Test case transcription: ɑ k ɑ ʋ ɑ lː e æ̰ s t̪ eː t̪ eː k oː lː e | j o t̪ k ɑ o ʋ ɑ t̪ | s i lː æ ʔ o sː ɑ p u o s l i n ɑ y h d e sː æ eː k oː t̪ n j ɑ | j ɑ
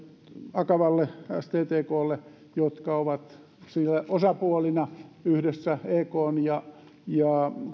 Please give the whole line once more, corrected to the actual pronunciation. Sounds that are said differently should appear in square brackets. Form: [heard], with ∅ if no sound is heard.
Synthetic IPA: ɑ k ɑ ʋ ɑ lː e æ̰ s t̪ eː t̪ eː k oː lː e | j o t̪ k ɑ o ʋ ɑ t̪ | s i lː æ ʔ o [s] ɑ p u o [∅] l i n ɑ y h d e sː æ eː k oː [∅] n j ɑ | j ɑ